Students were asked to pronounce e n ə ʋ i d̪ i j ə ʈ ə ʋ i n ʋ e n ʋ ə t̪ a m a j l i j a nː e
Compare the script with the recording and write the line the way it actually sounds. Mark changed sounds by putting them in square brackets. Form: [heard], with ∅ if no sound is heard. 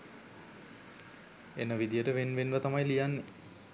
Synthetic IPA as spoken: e n ə ʋ i d̪ i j ə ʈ ə ʋ [e] n ʋ e n ʋ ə t̪ a m a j l i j a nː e

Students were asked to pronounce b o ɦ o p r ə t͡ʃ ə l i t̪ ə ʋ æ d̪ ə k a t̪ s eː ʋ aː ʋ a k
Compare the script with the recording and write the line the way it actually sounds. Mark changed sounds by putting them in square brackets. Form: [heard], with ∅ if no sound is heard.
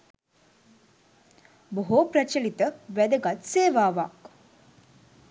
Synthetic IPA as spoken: b o ɦ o p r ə t͡ʃ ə l i t̪ ə ʋ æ d̪ ə [ɡ] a t̪ s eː ʋ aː ʋ a k

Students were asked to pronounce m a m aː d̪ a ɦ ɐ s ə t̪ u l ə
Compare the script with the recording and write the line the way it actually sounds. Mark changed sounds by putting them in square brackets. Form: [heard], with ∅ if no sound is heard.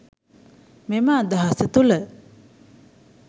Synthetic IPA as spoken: m [e] m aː d̪ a ɦ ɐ s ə t̪ u l ə

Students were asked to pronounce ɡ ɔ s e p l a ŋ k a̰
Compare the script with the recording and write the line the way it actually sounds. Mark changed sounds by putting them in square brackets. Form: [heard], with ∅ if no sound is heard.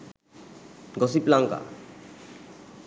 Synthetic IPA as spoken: ɡ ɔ s [i] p l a ŋ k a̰

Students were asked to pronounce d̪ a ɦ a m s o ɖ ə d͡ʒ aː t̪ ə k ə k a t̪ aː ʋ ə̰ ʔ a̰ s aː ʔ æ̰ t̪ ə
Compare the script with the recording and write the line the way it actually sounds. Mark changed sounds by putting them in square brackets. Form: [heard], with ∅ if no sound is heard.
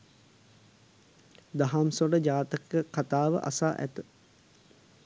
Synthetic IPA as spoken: d̪ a ɦ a m s o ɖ ə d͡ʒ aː t̪ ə k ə k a t̪ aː ʋ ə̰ ʔ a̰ s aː ʔ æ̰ t̪ ə

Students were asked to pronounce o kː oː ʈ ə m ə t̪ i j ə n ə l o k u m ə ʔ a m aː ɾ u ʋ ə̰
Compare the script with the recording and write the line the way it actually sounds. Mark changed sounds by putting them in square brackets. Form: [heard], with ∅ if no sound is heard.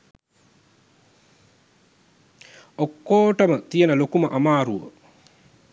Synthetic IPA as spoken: o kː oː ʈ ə m ə t̪ i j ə n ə l o k u m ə ʔ a m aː ɾ u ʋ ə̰

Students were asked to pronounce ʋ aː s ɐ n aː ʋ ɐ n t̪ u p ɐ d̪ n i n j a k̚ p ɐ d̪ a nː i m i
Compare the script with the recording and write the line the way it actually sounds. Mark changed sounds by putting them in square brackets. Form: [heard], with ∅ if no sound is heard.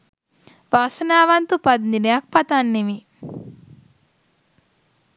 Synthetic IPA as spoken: ʋ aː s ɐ n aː ʋ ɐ n t̪ u p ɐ d̪ n i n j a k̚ p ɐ [t̪] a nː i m i

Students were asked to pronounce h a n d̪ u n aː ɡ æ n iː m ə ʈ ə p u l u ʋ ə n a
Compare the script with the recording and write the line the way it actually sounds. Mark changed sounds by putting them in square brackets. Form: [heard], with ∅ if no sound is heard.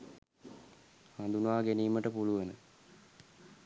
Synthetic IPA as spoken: h a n d̪ u n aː ɡ [e] n iː m ə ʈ ə p u l u ʋ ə n [ə]

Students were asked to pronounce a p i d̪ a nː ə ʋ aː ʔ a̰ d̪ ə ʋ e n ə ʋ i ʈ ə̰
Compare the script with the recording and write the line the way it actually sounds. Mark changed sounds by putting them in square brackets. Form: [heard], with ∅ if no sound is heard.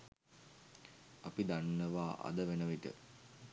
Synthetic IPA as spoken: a p i d̪ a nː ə ʋ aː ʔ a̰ d̪ ə ʋ e n ə ʋ i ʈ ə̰

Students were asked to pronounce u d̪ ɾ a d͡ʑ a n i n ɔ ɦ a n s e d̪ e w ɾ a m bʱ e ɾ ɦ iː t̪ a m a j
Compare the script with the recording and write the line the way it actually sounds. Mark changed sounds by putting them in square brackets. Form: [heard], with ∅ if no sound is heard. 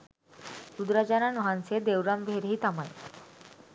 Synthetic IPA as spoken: u d̪ ɾ a d͡ʑ a n [a] n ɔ ɦ a n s e d̪ e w ɾ a m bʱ e ɾ ɦ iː t̪ a m a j

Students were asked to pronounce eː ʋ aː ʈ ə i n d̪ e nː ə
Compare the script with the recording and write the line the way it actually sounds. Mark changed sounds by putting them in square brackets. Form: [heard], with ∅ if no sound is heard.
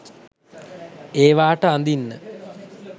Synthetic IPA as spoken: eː ʋ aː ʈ ə [a] n d̪ [i] nː ə

